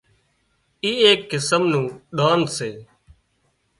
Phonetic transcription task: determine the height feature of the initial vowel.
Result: high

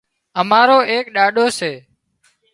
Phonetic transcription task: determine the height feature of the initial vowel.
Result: mid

